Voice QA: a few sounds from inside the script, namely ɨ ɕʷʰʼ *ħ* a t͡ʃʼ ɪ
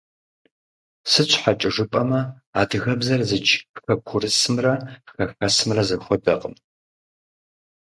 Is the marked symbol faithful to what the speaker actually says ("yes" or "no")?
yes